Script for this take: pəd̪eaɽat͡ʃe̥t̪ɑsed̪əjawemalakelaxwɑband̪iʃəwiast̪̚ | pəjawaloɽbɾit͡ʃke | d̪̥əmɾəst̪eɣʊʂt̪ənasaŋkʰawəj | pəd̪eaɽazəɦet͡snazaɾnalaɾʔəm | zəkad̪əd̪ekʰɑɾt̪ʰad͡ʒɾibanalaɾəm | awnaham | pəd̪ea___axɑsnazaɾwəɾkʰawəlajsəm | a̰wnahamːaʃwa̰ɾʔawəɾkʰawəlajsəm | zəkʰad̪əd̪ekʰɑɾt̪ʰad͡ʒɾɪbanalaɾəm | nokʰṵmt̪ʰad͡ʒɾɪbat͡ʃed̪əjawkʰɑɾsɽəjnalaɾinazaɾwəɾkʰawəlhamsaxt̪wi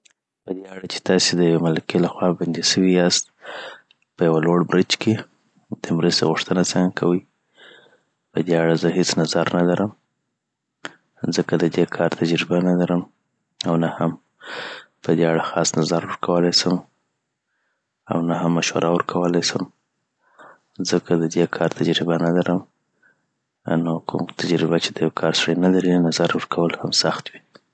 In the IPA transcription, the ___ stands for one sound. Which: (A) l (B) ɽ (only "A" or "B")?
B